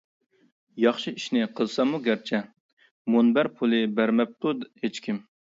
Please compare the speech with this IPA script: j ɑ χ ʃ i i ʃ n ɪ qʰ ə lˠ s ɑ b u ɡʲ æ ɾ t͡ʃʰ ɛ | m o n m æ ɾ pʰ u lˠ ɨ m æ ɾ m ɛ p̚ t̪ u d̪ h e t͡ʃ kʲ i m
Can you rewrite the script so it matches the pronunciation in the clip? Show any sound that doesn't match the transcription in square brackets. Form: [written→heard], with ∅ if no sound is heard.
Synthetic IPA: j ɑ χ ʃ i i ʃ n ɪ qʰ ə lˠ s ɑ [b→m] u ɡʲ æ ɾ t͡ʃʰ ɛ | m o n [m→b] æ ɾ pʰ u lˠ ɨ [m→b] æ ɾ m ɛ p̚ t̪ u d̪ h e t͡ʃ kʲ i m

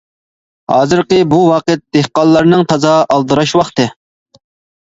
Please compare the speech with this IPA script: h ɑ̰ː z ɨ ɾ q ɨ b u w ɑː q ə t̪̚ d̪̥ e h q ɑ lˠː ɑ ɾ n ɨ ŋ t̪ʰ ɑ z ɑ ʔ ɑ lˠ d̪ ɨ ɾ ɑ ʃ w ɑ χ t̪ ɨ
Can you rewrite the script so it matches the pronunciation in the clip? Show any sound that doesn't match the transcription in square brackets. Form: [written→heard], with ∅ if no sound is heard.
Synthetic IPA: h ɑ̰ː z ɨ ɾ q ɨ b u w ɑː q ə t̪̚ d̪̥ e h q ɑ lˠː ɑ ɾ n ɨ ŋ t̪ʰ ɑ z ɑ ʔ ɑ lˠ d̪ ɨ ɾ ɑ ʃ w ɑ χ t̪ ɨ

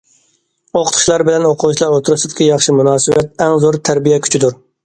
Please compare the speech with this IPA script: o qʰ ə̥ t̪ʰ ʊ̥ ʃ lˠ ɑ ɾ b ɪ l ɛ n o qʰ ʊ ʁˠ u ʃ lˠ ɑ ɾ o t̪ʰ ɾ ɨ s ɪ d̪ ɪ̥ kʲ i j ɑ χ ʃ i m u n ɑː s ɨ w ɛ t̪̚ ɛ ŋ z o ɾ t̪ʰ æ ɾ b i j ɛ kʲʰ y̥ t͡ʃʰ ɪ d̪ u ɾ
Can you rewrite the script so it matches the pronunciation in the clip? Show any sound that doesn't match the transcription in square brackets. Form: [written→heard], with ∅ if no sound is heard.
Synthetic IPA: o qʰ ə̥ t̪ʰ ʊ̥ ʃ lˠ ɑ ɾ b ɪ l ɛ n o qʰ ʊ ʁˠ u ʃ lˠ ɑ ɾ o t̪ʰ ɾ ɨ s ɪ d̪ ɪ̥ kʲ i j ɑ χ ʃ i m u n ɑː s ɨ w ɛ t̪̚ ɛ ŋ z o ɾ t̪ʰ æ ɾ b i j ɛ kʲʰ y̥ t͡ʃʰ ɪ d̪ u ɾ

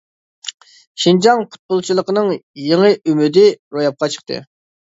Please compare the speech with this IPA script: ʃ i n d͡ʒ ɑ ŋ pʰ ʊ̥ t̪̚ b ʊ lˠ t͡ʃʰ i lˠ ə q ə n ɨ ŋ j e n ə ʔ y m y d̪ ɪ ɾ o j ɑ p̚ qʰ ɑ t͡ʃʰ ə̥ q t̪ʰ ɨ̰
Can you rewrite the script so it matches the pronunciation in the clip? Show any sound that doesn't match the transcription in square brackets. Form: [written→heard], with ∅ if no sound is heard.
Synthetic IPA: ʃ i n d͡ʒ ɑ ŋ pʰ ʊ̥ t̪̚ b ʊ lˠ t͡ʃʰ i lˠ ə q ə n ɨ ŋ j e [n→ŋ] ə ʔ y m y d̪ ɪ ɾ o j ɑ p̚ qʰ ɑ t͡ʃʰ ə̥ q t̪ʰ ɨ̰

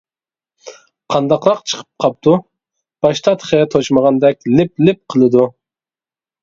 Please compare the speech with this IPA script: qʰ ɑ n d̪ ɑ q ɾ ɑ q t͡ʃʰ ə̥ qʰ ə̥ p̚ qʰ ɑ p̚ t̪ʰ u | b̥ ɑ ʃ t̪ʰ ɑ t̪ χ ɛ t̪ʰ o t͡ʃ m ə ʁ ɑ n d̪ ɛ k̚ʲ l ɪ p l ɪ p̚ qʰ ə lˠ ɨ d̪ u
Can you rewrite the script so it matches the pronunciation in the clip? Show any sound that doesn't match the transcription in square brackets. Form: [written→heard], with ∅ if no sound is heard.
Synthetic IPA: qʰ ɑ n d̪ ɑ q ɾ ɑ q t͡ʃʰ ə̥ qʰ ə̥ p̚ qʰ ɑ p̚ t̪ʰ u | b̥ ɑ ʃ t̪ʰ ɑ t̪ χ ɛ t̪ʰ o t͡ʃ m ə ʁ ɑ n d̪ ɛ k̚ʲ l ɪ p l ɪ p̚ qʰ ə lˠ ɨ d̪ u

